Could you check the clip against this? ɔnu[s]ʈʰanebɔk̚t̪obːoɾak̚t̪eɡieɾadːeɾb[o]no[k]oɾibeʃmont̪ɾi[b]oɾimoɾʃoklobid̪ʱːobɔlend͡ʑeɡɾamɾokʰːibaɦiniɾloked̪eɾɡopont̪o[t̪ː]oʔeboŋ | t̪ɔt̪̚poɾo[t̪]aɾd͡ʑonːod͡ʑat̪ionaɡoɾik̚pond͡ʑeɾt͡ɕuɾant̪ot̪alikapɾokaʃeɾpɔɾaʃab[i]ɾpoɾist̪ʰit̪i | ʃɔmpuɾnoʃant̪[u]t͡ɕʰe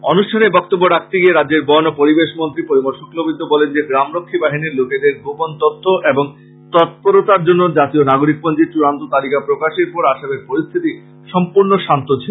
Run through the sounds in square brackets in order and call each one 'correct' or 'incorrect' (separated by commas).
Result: incorrect, incorrect, incorrect, incorrect, incorrect, correct, incorrect, incorrect